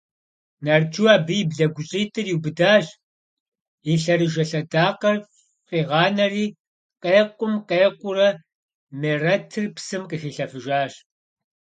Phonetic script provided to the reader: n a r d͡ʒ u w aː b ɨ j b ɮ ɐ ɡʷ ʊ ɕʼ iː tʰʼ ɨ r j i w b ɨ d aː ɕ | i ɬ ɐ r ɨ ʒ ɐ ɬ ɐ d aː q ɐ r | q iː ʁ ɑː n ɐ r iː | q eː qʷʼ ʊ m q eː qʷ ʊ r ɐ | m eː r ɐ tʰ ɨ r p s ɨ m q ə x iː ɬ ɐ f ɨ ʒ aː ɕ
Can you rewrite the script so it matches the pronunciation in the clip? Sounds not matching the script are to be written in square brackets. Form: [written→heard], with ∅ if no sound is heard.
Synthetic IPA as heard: n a r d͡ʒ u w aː b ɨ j b ɮ ɐ ɡʷ ʊ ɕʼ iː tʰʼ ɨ r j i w b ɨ d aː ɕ | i ɬ ɐ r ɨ ʒ ɐ ɬ ɐ d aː q ɐ r | q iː ʁ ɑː n ɐ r iː | q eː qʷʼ ʊ m q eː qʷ ʊ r ɐ | m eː r ɐ tʰ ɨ r p s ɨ m q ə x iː ɬ ɐ f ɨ ʒ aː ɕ